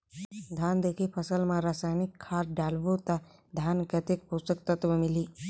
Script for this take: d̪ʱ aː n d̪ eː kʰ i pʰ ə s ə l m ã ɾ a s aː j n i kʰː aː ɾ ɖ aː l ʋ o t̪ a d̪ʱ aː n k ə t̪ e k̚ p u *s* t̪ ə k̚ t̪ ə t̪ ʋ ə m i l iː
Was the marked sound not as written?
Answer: no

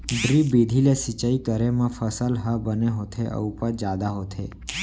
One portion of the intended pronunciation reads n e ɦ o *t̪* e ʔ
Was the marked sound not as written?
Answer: yes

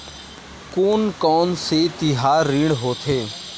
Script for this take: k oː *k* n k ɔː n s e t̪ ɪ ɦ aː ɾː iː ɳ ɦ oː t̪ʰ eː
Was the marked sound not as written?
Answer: yes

